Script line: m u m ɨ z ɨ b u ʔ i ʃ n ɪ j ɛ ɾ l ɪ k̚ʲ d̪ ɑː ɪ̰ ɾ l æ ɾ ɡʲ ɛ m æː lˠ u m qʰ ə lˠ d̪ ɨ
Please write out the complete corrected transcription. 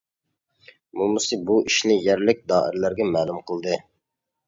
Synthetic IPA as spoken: m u m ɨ s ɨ b u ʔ i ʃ n ɪ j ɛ ɾ l ɪ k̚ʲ d̪ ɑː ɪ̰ ɾ l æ ɾ ɡʲ ɛ m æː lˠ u m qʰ ə lˠ d̪ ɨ